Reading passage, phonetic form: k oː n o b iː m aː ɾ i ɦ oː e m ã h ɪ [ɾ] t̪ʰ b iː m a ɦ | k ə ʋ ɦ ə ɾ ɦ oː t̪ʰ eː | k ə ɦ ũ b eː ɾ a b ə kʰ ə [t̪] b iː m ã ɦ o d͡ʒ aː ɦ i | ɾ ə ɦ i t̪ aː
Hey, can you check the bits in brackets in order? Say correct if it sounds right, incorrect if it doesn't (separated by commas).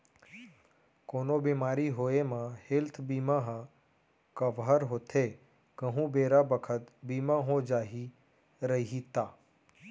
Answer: incorrect, correct